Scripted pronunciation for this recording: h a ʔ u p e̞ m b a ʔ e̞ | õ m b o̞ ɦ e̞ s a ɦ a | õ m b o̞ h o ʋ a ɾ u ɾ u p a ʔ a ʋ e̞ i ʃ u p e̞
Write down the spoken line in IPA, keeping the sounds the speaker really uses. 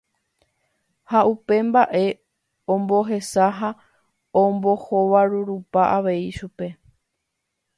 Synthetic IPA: h a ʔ u p e̞ m b a ʔ e̞ | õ m b o̞ ɦ e̞ s a ɦ a | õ m b o̞ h o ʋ a ɾ u ɾ u p a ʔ a ʋ e̞ i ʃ u p e̞